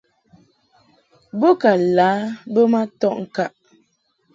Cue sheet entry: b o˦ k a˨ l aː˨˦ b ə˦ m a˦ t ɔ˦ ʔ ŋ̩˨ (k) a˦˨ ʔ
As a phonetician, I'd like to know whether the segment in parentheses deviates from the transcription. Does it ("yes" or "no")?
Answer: no